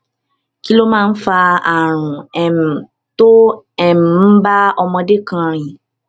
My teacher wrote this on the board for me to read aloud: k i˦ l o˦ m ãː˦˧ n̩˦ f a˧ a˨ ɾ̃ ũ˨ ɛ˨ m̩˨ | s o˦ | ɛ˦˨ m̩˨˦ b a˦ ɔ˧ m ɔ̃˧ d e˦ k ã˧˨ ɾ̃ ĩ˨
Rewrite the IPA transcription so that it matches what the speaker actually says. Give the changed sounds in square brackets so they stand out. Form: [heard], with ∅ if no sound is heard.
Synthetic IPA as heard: k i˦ l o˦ m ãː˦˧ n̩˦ f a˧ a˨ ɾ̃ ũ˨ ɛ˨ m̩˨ | [t] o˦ | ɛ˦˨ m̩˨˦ b a˦ ɔ˧ m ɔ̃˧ d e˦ k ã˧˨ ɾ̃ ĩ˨